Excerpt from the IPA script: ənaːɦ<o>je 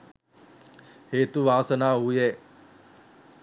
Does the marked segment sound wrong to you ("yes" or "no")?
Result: yes